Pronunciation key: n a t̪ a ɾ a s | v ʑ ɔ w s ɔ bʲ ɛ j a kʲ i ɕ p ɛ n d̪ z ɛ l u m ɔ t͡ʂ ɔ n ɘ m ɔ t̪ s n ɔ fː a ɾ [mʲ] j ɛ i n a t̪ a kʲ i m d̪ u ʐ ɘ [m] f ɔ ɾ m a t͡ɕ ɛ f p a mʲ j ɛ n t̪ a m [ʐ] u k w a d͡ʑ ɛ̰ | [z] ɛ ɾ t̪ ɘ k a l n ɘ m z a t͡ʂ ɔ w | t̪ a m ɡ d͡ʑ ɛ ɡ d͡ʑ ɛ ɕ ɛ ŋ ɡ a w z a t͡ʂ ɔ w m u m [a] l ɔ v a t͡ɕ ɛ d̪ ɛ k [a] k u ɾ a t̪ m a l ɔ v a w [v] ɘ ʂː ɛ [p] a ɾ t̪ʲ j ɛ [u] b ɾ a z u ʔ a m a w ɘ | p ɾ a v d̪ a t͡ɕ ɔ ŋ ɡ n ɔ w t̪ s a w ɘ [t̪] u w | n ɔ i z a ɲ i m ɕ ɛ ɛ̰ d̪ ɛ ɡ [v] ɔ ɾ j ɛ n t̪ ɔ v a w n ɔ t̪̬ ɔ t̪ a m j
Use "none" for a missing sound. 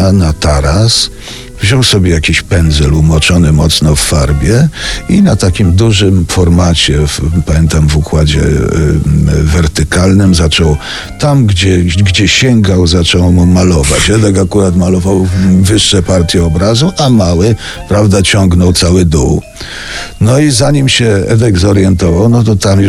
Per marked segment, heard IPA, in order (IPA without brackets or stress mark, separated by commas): bʲ, m, v, v, a, a, v, p, ɔ, d̪, z